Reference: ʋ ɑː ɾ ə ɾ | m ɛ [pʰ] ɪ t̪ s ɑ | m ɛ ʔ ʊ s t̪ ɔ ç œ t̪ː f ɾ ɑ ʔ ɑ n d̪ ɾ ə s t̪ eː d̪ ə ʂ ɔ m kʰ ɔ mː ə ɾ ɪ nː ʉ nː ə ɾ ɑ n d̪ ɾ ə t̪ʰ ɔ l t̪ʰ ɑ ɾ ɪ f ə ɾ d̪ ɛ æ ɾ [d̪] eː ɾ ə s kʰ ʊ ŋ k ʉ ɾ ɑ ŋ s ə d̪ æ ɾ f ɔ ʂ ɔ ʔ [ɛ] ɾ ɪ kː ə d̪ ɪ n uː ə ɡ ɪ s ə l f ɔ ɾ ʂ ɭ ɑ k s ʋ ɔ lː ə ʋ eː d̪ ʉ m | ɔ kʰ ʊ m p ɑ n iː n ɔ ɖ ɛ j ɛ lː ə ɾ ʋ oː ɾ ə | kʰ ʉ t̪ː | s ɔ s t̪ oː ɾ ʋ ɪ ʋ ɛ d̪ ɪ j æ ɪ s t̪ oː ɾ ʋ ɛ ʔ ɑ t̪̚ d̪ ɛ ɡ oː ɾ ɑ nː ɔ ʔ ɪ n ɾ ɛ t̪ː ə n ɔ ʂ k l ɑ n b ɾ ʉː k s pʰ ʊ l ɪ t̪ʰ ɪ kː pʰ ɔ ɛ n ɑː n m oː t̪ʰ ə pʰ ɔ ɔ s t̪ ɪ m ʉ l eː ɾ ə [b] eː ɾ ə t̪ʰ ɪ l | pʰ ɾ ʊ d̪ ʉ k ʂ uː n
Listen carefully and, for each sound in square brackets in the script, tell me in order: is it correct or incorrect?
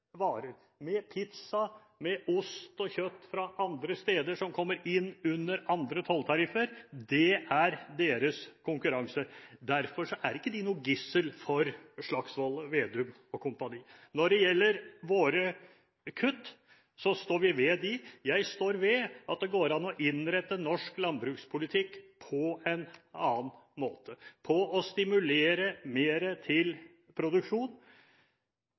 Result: correct, correct, incorrect, incorrect

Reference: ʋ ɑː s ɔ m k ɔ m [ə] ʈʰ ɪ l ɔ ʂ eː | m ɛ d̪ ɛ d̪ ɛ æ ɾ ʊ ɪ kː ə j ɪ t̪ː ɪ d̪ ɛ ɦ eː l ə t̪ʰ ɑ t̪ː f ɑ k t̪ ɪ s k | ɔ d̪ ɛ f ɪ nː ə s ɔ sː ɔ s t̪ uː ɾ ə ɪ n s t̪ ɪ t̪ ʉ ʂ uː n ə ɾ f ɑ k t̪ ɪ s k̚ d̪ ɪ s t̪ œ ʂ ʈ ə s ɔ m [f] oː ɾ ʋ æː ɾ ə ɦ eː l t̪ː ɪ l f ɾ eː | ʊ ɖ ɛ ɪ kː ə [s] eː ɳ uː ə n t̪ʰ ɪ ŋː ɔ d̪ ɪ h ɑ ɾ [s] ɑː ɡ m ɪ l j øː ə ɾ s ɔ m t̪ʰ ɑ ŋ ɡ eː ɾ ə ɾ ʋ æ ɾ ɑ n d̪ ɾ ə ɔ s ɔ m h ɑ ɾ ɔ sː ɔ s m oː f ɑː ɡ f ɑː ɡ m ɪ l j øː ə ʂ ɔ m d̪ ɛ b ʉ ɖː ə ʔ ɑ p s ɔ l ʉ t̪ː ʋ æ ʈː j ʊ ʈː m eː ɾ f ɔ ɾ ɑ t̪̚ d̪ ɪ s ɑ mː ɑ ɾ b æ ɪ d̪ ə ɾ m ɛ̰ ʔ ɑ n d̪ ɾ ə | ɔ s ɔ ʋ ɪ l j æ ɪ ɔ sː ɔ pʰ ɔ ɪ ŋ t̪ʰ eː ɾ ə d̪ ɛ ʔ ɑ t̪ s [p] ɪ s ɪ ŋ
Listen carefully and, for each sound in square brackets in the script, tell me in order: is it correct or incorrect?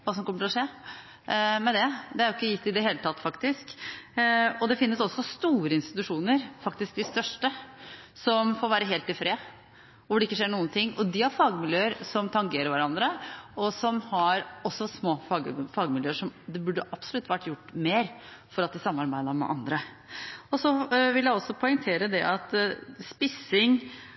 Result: correct, correct, incorrect, incorrect, correct

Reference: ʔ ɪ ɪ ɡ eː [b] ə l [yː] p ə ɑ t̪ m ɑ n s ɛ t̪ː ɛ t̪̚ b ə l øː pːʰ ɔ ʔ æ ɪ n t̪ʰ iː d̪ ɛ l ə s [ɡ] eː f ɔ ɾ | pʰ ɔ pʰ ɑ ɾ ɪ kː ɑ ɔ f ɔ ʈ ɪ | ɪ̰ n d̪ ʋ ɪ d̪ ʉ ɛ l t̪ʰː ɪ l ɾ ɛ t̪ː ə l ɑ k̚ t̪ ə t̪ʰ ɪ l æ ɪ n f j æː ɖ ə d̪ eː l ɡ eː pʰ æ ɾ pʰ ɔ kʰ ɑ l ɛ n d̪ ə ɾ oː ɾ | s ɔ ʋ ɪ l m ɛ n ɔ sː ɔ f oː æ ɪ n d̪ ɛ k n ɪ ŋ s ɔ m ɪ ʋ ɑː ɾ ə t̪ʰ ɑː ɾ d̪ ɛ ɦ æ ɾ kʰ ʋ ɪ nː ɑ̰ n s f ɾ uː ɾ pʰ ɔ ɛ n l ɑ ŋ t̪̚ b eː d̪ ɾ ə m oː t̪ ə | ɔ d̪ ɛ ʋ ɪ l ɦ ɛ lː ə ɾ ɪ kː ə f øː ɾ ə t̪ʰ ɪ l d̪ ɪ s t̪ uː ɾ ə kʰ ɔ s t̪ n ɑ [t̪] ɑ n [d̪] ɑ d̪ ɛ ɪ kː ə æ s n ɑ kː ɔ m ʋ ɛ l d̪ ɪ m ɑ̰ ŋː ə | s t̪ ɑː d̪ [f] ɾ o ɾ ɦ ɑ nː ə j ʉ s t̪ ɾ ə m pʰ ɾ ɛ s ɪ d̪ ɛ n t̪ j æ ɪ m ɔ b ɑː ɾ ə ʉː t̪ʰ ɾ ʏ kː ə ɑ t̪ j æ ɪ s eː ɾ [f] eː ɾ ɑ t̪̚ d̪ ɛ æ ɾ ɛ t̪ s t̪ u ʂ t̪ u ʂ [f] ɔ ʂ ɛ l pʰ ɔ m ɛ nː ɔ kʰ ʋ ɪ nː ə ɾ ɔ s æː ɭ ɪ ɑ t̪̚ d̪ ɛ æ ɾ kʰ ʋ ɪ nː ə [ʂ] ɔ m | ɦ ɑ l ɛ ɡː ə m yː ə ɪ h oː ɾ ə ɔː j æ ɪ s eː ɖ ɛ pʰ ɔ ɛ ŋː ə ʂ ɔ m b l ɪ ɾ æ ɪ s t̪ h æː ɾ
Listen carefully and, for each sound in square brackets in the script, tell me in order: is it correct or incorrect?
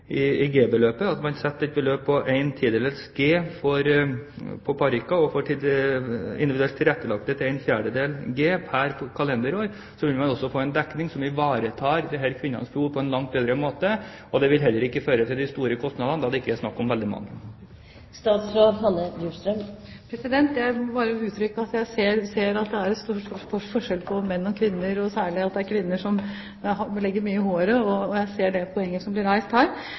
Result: correct, incorrect, correct, incorrect, correct, incorrect, incorrect, correct, correct

